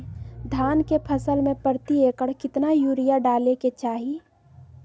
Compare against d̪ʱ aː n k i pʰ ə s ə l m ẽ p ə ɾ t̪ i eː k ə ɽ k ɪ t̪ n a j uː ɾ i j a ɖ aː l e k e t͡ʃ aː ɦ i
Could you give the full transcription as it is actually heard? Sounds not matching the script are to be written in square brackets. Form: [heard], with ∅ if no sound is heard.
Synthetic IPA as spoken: d̪ʱ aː n k [e] pʰ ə s ə l m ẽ p ə ɾ t̪ i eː k ə ɽ k ɪ t̪ n a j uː ɾ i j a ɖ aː l e k e t͡ʃ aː ɦ i